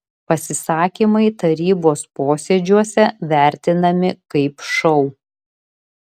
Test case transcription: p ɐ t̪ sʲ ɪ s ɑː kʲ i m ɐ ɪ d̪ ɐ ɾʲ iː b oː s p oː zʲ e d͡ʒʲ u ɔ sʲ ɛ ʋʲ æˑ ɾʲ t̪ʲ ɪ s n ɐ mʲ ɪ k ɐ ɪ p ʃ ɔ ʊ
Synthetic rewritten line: p ɐ sʲ ɪ s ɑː kʲ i m ɐ ɪ t̪ ɐ ɾʲ iː b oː s p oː sʲ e d͡ʒʲ u ɔ sʲ ɛ ʋʲ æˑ ɾʲ t̪ʲ ɪ n ɐ mʲ ɪ k ɐ ɪ p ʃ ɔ ʊ